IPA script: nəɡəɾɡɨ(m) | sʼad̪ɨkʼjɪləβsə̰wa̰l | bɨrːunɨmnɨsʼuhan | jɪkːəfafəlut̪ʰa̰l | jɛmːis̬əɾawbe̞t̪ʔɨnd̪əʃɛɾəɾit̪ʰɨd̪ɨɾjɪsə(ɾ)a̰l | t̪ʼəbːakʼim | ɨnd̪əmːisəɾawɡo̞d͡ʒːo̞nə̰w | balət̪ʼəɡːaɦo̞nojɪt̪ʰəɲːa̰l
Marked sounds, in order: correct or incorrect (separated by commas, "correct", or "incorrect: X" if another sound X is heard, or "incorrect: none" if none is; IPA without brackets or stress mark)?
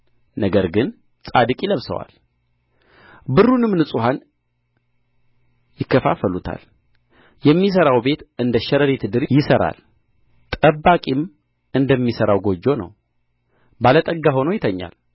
incorrect: n, correct